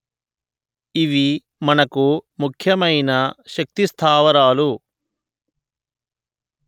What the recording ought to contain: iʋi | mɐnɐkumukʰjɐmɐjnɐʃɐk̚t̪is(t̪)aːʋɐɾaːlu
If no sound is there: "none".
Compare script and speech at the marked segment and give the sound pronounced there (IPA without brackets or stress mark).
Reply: t̪ʰ